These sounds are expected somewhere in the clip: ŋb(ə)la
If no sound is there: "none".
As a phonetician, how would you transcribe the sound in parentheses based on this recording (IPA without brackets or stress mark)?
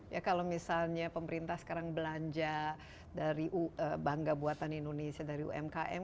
ə